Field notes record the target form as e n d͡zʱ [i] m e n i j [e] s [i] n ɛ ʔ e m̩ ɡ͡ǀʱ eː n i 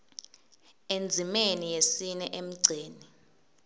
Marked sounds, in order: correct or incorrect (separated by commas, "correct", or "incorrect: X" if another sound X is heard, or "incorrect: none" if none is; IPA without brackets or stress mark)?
correct, correct, correct